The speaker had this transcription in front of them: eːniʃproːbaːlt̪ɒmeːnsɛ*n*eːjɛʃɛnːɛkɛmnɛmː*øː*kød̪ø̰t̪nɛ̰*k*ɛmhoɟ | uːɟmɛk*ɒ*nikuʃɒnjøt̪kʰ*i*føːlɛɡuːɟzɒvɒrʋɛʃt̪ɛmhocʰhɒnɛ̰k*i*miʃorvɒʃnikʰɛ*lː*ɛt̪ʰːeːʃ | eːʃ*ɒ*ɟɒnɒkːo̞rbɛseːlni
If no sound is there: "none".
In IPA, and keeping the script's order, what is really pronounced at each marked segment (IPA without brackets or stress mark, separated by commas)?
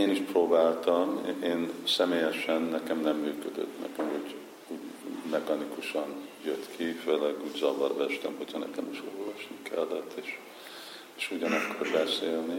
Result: m, yː, k, ɒ, i, ɛ, lː, u